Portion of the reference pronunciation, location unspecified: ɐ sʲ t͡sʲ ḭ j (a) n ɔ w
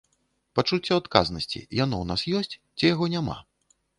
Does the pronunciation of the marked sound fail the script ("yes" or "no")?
no